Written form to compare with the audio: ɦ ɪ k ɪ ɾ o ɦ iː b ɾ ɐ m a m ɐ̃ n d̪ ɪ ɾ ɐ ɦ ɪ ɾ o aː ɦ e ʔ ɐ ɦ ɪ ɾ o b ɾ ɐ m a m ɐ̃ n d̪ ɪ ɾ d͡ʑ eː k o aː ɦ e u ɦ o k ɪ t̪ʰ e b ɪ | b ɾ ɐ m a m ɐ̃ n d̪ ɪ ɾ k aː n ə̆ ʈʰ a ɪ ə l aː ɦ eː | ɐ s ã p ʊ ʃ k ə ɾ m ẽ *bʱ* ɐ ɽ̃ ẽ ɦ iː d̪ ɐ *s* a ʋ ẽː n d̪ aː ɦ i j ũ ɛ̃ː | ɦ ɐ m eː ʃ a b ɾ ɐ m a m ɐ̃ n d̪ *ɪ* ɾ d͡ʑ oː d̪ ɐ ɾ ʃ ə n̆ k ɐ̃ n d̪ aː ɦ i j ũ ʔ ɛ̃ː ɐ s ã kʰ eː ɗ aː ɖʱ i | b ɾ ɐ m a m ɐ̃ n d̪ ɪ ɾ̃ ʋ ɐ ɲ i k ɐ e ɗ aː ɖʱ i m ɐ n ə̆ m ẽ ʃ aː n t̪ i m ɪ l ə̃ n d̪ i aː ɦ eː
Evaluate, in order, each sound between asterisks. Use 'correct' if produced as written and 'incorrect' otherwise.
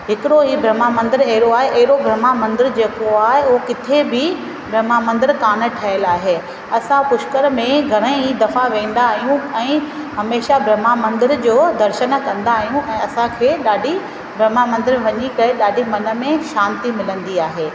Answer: incorrect, incorrect, correct

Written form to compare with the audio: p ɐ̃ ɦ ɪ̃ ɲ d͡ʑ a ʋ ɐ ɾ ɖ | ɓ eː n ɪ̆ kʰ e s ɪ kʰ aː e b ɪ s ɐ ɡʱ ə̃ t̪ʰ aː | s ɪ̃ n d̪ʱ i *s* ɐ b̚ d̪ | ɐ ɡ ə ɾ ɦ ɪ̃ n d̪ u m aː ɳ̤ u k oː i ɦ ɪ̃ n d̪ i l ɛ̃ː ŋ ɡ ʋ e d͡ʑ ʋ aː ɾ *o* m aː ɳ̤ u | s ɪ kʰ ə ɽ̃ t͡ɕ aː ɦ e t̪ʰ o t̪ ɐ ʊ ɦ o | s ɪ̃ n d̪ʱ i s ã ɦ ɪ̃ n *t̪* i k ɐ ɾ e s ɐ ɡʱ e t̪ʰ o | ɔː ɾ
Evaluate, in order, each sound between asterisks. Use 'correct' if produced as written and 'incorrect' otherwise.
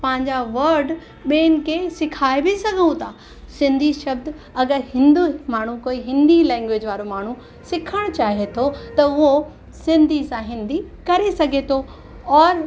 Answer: incorrect, correct, incorrect

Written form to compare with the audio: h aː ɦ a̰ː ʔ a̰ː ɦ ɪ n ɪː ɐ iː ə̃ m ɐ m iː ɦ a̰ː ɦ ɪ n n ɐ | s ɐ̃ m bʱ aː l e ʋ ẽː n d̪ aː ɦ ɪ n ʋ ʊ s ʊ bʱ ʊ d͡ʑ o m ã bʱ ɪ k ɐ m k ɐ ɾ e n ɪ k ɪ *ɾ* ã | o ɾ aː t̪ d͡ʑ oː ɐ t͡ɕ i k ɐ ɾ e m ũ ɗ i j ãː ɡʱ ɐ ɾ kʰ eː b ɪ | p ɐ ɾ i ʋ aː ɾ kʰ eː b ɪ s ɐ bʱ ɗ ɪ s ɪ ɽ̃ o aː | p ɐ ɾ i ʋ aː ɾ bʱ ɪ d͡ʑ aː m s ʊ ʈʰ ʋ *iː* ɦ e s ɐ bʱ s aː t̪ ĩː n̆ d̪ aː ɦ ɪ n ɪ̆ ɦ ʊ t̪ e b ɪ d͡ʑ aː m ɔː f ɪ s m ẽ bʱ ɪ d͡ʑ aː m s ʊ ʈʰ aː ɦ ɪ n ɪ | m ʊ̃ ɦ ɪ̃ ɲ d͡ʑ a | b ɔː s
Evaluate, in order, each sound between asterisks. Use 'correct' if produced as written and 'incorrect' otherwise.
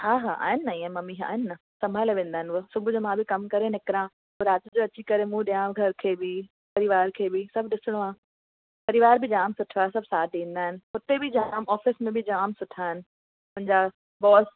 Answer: correct, incorrect

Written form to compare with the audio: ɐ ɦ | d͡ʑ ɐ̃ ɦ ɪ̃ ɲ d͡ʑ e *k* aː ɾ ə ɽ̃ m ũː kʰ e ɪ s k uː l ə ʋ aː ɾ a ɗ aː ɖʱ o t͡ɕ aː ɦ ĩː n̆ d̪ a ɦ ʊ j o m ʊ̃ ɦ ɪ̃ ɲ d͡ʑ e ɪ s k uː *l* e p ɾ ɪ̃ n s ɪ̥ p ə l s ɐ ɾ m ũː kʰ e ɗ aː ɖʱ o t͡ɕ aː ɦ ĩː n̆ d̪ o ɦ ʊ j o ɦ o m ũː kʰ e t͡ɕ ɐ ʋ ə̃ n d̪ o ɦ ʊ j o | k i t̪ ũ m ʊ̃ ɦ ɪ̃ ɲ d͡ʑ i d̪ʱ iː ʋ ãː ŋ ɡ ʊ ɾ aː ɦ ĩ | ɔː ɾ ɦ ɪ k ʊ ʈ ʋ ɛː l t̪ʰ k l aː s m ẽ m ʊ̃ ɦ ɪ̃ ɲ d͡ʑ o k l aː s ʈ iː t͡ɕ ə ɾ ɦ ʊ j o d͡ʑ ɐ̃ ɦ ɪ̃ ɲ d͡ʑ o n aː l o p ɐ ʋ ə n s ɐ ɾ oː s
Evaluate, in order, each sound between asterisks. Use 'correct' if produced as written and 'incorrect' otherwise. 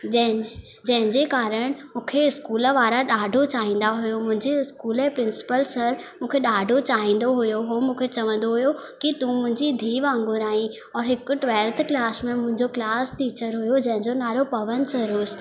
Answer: correct, correct

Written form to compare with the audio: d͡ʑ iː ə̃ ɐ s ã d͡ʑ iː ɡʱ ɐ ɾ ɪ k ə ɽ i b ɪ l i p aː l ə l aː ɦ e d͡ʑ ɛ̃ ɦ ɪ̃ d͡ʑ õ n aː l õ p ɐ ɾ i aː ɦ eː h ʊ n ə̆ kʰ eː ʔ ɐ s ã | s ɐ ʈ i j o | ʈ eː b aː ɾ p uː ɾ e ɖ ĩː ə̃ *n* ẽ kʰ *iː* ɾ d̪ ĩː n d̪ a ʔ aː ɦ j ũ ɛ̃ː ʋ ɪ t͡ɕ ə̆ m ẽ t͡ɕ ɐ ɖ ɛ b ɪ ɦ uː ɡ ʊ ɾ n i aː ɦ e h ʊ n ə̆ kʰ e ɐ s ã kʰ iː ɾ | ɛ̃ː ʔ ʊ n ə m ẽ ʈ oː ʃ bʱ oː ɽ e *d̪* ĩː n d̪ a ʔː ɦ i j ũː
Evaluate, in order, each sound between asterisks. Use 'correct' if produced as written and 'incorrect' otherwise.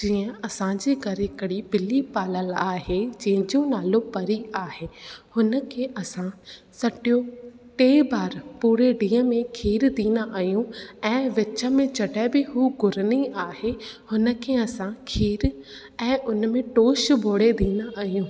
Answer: incorrect, correct, correct

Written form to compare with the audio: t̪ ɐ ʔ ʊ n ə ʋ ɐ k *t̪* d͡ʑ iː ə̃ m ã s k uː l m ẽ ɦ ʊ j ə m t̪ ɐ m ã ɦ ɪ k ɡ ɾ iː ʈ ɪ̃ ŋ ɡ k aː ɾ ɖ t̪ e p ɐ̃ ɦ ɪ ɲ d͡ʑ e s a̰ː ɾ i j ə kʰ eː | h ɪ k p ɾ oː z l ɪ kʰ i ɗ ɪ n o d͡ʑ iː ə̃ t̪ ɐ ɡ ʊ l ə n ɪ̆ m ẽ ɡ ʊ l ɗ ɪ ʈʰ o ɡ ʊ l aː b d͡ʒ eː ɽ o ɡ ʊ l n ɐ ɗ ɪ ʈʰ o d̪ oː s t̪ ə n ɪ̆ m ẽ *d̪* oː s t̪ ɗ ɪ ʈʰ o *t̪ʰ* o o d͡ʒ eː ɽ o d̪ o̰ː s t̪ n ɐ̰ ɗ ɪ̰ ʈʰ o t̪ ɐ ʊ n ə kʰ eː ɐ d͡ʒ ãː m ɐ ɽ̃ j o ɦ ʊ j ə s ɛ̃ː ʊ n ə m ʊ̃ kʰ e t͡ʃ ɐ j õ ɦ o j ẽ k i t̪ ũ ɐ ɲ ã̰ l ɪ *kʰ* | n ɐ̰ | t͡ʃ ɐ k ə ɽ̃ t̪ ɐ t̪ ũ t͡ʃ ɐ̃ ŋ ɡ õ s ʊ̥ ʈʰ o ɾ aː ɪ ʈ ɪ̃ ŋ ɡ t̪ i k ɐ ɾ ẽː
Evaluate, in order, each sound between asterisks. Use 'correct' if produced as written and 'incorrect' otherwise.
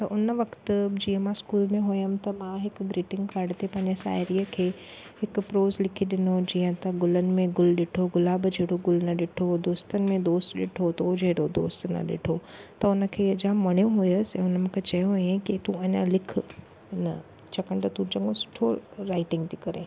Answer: correct, correct, incorrect, correct

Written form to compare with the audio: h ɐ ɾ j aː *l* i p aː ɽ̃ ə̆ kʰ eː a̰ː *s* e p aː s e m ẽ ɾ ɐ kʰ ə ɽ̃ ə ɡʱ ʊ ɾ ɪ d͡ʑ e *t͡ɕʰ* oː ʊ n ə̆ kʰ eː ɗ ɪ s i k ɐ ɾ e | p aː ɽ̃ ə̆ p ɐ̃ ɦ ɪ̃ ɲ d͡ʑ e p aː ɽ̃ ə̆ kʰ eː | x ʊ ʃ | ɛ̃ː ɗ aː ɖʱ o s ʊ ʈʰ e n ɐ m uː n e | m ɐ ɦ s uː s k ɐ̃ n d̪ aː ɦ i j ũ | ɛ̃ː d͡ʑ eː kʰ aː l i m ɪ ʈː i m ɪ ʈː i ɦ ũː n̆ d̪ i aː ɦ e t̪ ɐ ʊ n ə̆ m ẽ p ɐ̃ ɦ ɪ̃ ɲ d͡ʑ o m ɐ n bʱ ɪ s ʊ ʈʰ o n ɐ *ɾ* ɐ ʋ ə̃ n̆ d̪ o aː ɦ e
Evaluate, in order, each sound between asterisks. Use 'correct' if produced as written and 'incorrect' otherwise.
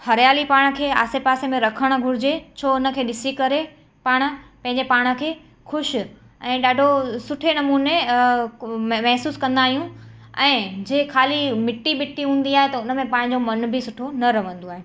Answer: correct, correct, correct, correct

